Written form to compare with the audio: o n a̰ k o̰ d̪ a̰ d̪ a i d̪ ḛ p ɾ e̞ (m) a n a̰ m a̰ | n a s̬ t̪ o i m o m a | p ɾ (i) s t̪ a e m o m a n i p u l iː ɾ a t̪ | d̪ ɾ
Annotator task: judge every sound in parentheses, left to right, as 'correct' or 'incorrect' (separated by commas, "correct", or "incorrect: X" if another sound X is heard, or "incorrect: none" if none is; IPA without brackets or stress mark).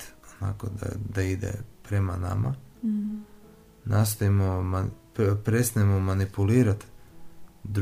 correct, incorrect: e